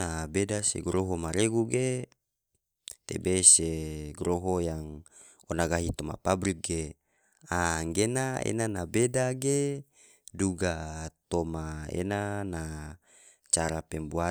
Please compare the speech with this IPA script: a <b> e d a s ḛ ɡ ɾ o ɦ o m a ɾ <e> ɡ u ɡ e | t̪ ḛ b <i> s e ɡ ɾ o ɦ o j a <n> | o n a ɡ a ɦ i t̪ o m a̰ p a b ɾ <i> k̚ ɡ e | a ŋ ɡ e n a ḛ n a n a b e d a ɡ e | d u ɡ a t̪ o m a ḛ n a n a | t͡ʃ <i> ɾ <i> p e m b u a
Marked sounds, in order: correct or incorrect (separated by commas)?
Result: correct, correct, incorrect, incorrect, correct, incorrect, incorrect